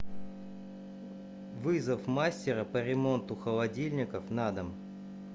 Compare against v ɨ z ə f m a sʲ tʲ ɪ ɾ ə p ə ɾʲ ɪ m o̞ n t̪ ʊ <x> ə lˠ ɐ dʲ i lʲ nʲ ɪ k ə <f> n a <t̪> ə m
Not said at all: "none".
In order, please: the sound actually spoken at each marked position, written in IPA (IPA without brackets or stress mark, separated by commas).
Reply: x, f, d̪